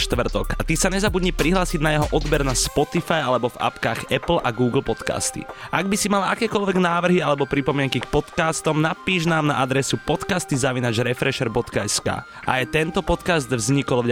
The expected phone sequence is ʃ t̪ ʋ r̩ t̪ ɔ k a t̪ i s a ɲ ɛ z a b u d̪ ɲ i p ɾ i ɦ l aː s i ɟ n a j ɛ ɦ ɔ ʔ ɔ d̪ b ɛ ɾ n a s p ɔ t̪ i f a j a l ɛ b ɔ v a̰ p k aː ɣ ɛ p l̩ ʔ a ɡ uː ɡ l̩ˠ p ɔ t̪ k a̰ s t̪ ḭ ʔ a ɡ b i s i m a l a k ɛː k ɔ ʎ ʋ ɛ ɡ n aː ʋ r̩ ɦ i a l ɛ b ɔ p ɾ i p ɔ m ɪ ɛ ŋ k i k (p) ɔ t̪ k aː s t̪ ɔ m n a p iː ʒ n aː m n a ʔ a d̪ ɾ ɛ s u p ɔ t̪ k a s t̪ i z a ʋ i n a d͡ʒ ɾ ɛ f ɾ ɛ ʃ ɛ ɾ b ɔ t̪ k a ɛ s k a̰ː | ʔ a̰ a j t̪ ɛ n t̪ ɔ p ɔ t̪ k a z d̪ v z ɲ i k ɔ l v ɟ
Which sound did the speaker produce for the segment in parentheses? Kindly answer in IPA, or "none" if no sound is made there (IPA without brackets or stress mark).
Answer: p